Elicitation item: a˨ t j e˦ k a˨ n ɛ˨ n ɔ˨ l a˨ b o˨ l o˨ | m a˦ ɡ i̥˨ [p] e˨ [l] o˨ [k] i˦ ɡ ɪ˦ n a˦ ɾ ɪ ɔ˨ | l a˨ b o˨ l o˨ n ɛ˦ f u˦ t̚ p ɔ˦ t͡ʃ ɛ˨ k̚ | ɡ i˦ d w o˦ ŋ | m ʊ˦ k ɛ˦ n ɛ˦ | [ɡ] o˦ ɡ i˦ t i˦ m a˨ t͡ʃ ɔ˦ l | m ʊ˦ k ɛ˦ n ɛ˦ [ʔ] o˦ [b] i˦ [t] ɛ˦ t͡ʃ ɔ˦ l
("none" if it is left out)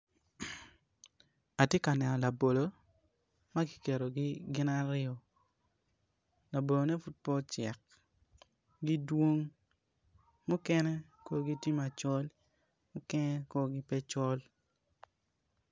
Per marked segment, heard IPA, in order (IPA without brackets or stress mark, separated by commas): k, ɾ, ɡ, k, k, ɡ, p